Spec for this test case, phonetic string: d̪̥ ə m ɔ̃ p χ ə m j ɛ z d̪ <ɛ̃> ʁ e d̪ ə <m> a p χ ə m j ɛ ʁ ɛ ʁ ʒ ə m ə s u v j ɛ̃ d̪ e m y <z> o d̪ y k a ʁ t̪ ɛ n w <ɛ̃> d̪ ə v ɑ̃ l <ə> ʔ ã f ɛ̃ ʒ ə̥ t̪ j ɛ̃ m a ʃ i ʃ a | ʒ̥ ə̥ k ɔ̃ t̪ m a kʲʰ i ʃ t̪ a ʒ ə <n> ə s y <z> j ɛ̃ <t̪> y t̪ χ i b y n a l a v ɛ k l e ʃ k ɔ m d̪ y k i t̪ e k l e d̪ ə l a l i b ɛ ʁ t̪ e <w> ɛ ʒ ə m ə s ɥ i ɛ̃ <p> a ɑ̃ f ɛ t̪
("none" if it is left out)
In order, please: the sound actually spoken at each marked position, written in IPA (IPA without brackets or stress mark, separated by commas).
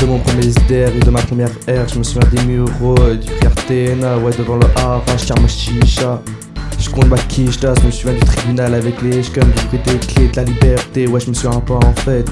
ɛ, m, ʁ, ɛ, ə, m, v, d̪, w, p